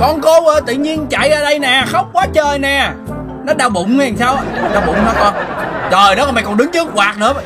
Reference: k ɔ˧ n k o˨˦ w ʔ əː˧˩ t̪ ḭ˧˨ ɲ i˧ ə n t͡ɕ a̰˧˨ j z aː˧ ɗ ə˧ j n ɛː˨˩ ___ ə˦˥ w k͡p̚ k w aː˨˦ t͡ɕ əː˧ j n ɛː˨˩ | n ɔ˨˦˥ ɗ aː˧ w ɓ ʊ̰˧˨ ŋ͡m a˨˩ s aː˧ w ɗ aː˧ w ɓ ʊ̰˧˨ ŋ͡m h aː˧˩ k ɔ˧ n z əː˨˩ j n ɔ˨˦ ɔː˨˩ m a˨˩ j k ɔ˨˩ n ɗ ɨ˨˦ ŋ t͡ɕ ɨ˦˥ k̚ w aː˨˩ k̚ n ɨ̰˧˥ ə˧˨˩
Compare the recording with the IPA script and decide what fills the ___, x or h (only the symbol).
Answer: x